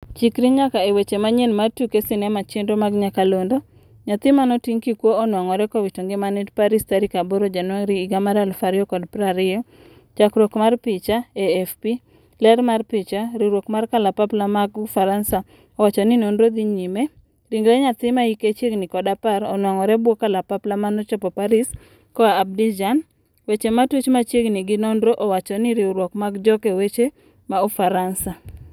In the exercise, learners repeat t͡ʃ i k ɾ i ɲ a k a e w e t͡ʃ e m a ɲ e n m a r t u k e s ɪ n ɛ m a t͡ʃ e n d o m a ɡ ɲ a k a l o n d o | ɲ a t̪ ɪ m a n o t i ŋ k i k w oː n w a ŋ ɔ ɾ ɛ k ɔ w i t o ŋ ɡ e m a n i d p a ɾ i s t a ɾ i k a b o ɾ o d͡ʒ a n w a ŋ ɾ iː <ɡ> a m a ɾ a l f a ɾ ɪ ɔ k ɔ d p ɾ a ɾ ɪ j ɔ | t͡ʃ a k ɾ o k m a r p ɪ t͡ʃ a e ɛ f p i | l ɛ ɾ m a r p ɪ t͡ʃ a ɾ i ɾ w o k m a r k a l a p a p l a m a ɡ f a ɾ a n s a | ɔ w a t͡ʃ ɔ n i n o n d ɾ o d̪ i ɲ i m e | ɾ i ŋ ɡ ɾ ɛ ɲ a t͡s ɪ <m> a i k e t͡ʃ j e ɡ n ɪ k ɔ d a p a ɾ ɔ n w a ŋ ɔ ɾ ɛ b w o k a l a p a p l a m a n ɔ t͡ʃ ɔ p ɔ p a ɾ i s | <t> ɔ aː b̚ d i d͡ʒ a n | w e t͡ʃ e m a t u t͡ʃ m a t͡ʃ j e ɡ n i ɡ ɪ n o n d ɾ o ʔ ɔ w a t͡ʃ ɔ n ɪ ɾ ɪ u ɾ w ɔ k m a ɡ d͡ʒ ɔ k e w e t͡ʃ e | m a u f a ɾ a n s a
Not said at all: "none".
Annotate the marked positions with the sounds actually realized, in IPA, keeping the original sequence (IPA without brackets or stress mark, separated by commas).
ɡ, m, k